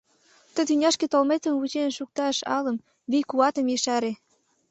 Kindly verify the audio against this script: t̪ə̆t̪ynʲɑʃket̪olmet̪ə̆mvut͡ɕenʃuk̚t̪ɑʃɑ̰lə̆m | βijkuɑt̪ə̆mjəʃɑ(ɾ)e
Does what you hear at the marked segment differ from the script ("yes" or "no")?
no